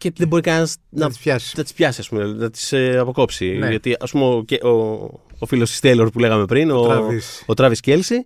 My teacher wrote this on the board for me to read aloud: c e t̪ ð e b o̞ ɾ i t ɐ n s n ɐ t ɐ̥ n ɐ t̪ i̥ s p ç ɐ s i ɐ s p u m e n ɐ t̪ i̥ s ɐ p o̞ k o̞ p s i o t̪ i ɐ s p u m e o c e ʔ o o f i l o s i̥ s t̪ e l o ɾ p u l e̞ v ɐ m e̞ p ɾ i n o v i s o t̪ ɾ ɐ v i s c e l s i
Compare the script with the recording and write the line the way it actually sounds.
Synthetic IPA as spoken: c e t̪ ð e b o̞ ɾ i k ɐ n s n ɐ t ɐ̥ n ɐ t̪ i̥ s p ç ɐ s i ɐ s p u m e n ɐ t̪ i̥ s ɐ p o̞ k o̞ p s i o t̪ i ɐ s p u m e o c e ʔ o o f i l o s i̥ s t̪ e l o ɾ p u l e̞ ɣ ɐ m e̞ p ɾ i n o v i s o t̪ ɾ ɐ v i s c e l s i